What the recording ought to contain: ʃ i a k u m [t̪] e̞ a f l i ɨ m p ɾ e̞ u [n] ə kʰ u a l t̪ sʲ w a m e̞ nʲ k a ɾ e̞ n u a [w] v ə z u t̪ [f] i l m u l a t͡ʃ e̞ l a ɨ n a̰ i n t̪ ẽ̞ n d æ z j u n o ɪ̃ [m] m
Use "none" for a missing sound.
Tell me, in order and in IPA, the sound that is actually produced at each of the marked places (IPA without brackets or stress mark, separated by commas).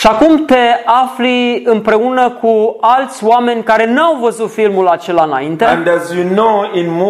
t̪, n, w, f, n